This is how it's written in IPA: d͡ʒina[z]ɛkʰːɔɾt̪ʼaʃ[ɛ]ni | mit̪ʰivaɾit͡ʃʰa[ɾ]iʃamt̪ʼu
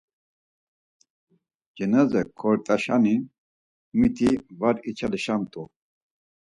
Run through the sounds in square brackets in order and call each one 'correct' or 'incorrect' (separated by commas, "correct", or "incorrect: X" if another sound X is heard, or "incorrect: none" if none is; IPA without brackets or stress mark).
correct, incorrect: a, incorrect: l